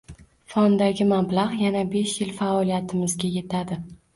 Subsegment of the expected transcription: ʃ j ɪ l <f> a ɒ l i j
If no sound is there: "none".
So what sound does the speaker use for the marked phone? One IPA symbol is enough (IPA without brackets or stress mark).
f